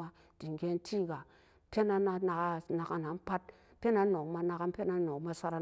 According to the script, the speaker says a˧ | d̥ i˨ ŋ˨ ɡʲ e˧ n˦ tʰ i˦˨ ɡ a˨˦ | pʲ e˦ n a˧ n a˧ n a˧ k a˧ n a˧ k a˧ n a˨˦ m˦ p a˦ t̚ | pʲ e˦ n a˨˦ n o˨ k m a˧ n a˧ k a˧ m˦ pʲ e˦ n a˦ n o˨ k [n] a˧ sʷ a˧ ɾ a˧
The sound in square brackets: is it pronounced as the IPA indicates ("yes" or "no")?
no